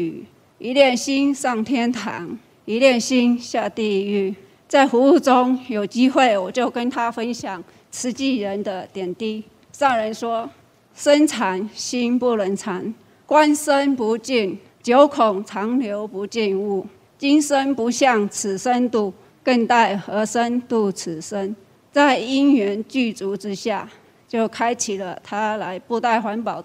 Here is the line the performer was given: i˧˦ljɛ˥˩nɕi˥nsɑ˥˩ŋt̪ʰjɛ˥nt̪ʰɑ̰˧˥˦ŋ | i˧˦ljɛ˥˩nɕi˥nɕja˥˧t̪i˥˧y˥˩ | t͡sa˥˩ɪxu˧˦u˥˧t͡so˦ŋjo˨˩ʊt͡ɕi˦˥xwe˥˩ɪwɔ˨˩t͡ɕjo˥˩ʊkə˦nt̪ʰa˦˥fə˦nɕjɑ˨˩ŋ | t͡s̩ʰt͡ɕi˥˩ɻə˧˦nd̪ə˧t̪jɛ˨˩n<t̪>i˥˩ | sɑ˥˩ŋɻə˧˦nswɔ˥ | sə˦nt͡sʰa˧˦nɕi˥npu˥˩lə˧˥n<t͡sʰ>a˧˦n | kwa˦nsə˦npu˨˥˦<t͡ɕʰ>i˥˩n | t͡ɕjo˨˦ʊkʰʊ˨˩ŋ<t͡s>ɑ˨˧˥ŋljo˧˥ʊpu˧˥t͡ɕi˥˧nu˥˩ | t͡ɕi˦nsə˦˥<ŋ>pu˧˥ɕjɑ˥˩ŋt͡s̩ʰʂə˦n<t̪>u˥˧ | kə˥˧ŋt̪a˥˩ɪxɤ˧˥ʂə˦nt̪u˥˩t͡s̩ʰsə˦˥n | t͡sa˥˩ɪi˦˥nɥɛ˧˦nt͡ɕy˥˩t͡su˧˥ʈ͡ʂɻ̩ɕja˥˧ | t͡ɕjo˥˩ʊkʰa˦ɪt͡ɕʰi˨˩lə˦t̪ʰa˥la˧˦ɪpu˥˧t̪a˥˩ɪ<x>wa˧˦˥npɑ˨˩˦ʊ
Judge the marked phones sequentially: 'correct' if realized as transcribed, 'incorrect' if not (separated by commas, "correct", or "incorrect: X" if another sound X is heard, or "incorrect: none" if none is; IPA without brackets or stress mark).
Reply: correct, correct, incorrect: t͡ɕ, incorrect: t͡sʰ, incorrect: n, correct, correct